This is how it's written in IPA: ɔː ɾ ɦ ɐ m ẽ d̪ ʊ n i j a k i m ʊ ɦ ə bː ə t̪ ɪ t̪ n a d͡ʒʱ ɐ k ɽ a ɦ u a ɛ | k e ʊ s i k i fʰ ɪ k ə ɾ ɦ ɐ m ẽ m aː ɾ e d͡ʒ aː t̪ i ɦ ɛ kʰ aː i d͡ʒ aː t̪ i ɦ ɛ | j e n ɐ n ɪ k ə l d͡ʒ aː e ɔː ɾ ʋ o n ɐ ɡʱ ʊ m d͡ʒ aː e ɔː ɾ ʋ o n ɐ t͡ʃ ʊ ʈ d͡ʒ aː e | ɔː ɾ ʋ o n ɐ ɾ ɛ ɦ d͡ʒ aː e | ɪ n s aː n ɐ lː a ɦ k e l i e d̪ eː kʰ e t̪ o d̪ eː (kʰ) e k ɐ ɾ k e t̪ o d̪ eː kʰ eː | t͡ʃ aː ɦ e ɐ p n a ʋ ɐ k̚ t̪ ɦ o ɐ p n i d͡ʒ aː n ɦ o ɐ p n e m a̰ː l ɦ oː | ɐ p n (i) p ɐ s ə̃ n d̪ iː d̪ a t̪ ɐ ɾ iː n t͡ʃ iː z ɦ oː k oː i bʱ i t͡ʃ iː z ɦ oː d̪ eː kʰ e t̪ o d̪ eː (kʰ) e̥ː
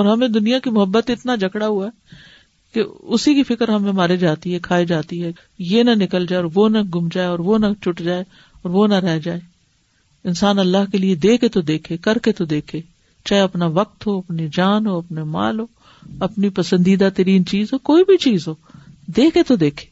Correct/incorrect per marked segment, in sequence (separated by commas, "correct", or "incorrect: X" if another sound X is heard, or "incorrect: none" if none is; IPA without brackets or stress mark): correct, correct, correct